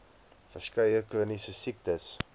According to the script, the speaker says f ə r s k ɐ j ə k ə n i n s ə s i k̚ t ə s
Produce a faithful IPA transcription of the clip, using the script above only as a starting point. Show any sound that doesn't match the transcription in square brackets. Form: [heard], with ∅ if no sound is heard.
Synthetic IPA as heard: f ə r s k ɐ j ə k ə n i [∅] s ə s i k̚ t ə s